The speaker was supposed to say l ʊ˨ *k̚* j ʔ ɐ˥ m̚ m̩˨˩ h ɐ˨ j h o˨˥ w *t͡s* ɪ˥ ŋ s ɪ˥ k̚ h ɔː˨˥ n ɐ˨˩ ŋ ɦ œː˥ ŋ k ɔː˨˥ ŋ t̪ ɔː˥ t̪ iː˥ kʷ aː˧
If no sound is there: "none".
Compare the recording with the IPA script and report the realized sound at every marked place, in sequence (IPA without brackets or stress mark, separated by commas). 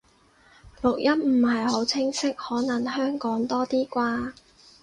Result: k̚, t͡sʰ